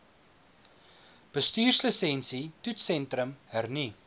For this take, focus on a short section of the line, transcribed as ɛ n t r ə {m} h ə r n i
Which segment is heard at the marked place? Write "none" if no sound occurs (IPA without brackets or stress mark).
m